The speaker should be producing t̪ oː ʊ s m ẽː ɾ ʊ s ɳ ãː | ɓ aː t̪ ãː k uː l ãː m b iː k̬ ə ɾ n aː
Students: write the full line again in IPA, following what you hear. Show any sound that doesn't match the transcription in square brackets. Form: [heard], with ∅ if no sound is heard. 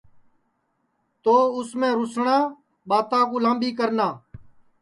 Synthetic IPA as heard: t̪ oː ʊ s m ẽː ɾ ʊ s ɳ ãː | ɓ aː t̪ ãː k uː l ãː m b iː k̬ ə ɾ n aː